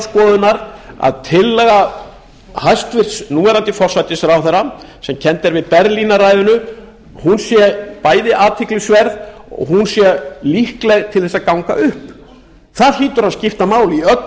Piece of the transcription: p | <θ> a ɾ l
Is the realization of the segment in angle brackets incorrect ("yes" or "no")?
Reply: no